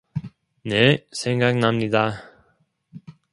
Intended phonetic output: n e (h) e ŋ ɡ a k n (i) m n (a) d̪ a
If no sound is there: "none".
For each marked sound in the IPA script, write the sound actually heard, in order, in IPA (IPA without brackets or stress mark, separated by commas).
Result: s, a, i